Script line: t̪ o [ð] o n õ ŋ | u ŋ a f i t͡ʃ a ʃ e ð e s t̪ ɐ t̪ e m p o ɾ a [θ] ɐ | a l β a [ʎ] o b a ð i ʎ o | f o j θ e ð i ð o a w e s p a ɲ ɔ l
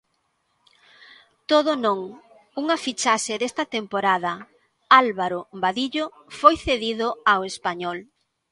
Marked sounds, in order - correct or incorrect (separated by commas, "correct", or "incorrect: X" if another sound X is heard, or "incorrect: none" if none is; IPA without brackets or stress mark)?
correct, incorrect: ð, incorrect: ɾ